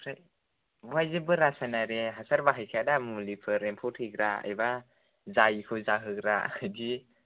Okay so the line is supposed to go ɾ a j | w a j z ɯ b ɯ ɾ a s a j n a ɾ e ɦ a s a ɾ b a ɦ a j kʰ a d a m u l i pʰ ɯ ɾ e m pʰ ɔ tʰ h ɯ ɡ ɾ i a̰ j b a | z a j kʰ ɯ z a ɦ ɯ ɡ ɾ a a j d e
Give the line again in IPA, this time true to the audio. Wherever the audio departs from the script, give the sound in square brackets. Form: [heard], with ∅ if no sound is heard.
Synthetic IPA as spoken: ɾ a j | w a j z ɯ b ɯ ɾ a s a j n a ɾ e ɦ a s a ɾ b a ɦ a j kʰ a d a m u l i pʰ ɯ ɾ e m pʰ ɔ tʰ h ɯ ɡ ɾ [a] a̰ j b a | z a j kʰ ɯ z a ɦ ɯ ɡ ɾ a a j d [i]